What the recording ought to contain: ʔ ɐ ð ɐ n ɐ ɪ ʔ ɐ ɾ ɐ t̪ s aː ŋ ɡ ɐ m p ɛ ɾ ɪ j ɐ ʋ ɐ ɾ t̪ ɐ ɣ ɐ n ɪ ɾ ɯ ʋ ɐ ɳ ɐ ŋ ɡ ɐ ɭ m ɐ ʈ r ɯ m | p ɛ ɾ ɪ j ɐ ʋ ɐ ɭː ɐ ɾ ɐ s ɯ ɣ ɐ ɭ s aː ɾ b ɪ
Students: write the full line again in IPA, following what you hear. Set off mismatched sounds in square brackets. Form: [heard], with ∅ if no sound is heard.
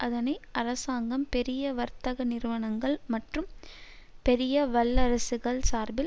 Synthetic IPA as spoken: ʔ ɐ ð ɐ n ɐ ɪ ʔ ɐ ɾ ɐ [∅] s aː ŋ ɡ ɐ m p ɛ ɾ ɪ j ɐ ʋ ɐ ɾ t̪ ɐ ɣ ɐ n ɪ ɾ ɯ ʋ ɐ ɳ ɐ ŋ ɡ ɐ ɭ m ɐ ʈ r ɯ m | p ɛ ɾ ɪ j ɐ ʋ ɐ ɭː ɐ ɾ ɐ s ɯ ɣ ɐ ɭ s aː ɾ b ɪ